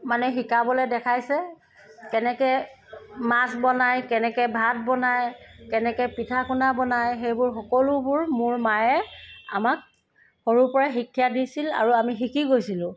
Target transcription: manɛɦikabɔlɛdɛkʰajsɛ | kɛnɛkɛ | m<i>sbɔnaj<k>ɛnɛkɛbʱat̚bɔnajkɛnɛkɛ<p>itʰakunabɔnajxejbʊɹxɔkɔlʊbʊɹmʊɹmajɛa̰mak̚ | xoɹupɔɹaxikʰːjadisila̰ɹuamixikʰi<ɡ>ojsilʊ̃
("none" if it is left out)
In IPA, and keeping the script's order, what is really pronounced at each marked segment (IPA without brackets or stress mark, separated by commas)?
a, k, p, ɡ